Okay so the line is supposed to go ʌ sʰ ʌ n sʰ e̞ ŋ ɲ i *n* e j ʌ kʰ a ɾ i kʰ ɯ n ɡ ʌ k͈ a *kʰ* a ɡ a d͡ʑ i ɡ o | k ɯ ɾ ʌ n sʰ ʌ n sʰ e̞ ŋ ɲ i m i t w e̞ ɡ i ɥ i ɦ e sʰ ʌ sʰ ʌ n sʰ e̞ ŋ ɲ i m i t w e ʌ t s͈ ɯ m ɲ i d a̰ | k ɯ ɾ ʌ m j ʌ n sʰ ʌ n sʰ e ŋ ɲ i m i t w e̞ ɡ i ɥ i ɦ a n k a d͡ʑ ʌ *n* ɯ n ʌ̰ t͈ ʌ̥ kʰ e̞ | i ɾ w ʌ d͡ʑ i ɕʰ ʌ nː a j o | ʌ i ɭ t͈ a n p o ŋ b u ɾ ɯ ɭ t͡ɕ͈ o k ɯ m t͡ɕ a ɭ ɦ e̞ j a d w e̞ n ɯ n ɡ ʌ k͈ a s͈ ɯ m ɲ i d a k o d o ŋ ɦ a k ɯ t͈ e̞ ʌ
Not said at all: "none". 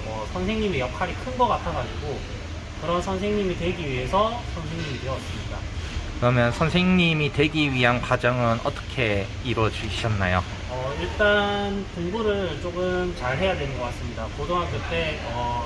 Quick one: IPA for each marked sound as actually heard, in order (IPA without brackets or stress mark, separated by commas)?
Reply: m, tʰ, ŋ